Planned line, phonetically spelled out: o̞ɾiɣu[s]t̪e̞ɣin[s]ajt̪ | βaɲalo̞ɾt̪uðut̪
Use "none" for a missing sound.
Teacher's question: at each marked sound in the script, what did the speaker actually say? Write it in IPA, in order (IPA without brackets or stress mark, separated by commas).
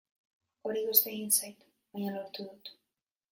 s, s